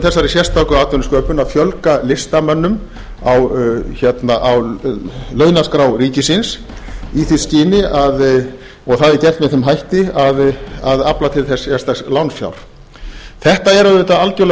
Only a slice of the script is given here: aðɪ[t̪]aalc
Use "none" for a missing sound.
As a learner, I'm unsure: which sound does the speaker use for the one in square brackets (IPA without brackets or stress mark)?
t̪